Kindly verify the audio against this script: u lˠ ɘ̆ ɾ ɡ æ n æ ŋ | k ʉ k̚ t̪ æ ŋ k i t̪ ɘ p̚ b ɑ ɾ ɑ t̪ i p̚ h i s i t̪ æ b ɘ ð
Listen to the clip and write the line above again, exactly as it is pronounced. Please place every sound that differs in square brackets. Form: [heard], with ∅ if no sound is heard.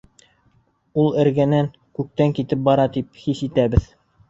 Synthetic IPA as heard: u lˠ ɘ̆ ɾ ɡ æ n æ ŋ | k ʉ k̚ t̪ æ ŋ k i t̪ ɘ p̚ b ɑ ɾ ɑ t̪ i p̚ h i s i t̪ æ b ɘ ð

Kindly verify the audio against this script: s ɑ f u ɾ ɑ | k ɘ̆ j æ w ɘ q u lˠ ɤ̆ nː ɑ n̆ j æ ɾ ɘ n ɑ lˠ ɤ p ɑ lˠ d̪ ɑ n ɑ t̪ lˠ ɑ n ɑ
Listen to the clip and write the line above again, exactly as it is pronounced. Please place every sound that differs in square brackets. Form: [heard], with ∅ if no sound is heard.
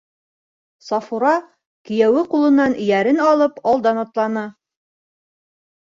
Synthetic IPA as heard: s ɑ f u ɾ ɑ | k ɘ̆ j æ w ɘ q u lˠ ɤ̆ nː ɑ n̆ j æ ɾ ɘ n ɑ lˠ ɤ p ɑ lˠ d̪ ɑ n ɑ t̪ lˠ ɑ n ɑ

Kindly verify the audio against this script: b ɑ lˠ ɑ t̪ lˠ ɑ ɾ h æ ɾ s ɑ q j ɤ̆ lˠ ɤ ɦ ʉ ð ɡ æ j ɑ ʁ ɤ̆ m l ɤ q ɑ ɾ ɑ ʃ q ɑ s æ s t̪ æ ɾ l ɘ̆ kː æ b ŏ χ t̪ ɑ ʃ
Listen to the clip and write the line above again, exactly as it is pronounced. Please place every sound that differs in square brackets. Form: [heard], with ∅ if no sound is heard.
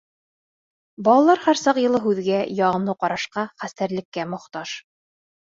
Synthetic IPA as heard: b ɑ lˠ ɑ [∅] lˠ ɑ ɾ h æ ɾ s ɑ q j ɤ̆ lˠ ɤ ɦ ʉ ð ɡ æ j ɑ ʁ ɤ̆ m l ɤ q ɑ ɾ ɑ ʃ q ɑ [χ] æ s t̪ æ ɾ l ɘ̆ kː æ [m] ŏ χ t̪ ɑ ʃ

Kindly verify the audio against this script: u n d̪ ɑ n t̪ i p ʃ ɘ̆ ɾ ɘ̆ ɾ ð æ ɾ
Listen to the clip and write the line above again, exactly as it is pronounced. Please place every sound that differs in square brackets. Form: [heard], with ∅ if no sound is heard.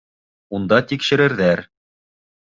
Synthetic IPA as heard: u n d̪ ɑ [∅] t̪ i [k] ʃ ɘ̆ ɾ ɘ̆ ɾ ð æ ɾ

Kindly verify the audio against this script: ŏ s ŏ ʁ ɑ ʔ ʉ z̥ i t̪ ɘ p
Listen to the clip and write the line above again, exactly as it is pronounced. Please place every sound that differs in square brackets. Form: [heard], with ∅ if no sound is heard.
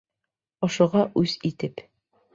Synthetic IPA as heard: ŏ [ʃ] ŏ ʁ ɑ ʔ ʉ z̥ i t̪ ɘ p

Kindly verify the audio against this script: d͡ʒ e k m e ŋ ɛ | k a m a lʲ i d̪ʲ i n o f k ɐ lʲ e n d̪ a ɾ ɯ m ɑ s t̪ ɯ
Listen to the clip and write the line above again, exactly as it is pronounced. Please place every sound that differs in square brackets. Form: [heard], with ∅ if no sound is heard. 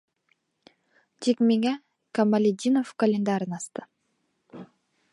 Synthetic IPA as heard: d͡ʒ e k m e ŋ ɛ | k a m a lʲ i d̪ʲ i n o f k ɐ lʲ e n d̪ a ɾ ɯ [n] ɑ s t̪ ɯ

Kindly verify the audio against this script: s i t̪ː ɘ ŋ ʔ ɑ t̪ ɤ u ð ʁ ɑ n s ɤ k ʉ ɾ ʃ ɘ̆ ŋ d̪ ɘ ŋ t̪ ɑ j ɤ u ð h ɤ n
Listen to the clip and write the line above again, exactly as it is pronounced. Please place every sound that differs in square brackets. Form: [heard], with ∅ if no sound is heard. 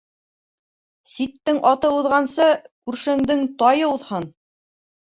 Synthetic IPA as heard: s i t̪ː ɘ ŋ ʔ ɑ t̪ ɤ u ð ʁ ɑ n s ɤ k ʉ ɾ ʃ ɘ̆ ŋ d̪ ɘ ŋ t̪ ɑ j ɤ u ð h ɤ n

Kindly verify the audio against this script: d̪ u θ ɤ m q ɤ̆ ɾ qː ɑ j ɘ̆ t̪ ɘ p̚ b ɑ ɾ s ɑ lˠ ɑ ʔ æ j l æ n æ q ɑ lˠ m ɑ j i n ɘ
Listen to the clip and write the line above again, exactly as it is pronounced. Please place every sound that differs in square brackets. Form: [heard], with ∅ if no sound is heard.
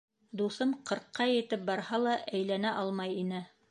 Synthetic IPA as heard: d̪ u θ ɤ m q ɤ̆ ɾ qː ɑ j ɘ̆ t̪ ɘ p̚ b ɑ ɾ [h] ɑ lˠ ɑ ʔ æ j l æ n æ [ʔ] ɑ lˠ m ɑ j i n ɘ

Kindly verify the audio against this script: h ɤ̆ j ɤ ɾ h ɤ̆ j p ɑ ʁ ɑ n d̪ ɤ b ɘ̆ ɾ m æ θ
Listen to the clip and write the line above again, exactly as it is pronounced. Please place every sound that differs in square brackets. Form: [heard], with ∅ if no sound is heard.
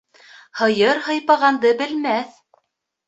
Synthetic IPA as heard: h ɤ̆ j ɤ ɾ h ɤ̆ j p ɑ ʁ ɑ n d̪ ɤ b ɘ̆ [l] m æ θ

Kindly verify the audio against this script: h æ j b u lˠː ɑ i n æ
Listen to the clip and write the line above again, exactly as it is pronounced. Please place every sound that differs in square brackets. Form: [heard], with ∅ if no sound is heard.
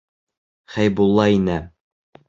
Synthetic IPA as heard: [χ] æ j b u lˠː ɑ i n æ

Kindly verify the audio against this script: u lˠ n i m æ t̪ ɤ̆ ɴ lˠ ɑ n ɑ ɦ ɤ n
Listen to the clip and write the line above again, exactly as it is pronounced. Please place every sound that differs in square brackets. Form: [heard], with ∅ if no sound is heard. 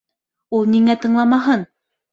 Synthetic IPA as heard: u lˠ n i [ŋ] æ t̪ ɤ̆ ɴ lˠ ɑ [m] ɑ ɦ ɤ n

